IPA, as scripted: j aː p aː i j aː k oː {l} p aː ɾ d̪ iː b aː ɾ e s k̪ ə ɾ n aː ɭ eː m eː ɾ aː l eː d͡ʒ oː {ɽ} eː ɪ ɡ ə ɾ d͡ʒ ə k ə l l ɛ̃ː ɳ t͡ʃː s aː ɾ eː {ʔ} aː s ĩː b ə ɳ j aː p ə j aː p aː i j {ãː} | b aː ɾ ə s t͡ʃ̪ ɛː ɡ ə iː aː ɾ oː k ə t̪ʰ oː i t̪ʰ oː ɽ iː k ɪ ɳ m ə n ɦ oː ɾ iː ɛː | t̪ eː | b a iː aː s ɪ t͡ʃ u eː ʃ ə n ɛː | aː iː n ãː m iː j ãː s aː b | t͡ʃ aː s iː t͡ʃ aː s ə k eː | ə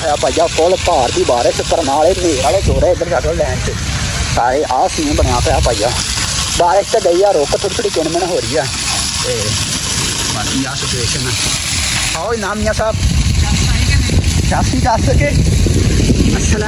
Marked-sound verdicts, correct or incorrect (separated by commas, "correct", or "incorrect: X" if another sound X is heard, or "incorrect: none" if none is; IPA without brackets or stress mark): correct, incorrect: ɾ, correct, incorrect: aː